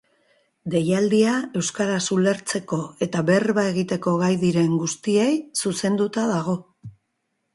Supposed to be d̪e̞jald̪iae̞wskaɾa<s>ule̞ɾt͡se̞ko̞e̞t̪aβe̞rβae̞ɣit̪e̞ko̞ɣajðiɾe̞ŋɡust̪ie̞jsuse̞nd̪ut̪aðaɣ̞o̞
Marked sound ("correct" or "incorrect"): correct